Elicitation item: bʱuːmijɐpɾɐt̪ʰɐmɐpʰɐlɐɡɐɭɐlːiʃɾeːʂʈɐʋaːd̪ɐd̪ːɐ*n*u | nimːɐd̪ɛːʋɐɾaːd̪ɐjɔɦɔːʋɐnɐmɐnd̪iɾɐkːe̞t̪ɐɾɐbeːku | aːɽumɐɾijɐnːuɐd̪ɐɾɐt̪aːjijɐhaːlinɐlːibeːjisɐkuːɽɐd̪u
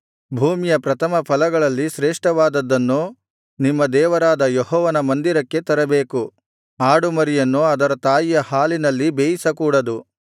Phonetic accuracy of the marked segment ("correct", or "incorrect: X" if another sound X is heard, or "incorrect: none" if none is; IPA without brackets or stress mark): incorrect: nː